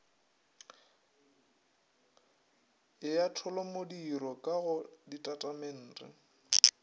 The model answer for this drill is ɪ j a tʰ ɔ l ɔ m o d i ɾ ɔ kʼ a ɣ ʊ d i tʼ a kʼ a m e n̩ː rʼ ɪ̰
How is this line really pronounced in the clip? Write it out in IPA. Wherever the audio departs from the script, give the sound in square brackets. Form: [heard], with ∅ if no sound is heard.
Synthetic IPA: ɪ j a tʰ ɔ l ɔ m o d i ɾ ɔ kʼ a ɣ ʊ d i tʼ a [tʼ] a m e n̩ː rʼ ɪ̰